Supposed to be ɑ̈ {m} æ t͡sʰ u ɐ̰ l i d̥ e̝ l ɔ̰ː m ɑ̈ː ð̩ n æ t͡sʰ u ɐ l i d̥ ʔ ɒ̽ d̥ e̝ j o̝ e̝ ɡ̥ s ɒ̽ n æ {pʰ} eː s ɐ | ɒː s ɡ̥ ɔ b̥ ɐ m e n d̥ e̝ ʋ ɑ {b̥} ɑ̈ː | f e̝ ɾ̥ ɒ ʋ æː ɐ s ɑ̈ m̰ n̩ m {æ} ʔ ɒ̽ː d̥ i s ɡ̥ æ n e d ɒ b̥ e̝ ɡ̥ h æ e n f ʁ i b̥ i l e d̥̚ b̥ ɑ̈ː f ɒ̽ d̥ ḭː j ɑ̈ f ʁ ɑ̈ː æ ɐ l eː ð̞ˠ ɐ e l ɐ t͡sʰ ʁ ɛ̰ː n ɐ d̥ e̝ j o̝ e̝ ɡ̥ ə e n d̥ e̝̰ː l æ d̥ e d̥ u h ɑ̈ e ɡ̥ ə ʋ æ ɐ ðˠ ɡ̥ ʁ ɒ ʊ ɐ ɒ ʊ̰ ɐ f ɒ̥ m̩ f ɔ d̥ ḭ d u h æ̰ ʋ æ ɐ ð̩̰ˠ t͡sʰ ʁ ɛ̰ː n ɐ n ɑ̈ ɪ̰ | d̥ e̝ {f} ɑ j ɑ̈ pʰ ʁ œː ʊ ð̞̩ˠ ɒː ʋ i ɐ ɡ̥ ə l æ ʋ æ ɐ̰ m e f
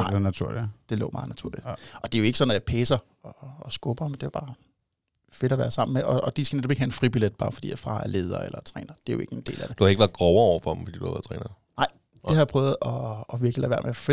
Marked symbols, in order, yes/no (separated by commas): no, yes, yes, no, no